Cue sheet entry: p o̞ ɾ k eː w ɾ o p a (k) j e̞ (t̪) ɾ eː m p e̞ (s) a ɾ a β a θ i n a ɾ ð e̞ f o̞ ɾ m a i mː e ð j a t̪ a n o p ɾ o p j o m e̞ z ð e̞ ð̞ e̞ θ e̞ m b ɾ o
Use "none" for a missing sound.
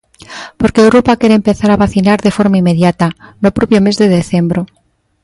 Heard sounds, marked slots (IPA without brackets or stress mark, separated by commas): k, none, θ